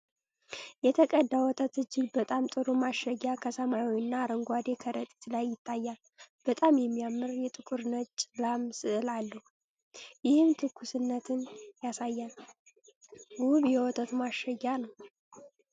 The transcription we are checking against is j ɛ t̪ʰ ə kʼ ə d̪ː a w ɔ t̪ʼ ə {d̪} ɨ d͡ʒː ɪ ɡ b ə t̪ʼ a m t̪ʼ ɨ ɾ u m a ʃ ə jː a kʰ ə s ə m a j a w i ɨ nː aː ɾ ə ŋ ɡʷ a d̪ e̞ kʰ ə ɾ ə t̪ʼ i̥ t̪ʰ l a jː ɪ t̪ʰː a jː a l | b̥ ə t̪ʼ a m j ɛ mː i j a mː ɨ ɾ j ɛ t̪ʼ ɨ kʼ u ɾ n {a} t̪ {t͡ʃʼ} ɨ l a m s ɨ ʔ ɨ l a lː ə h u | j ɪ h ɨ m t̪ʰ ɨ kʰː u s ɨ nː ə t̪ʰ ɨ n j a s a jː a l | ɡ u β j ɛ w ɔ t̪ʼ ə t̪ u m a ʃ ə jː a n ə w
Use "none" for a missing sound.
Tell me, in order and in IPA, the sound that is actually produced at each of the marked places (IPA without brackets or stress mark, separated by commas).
t̪, ə, t͡ʃʼ